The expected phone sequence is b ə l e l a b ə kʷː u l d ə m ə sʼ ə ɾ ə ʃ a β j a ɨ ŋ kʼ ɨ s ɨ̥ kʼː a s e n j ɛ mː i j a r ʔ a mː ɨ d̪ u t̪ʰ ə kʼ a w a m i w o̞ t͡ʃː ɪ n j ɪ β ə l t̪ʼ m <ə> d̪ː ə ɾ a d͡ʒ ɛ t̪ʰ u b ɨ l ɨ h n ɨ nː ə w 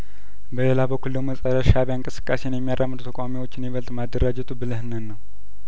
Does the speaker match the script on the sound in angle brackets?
no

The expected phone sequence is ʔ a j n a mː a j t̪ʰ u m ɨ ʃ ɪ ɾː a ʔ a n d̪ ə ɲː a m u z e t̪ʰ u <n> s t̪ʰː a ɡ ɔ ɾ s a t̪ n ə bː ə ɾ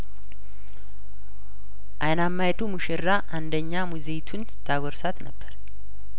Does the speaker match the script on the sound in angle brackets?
yes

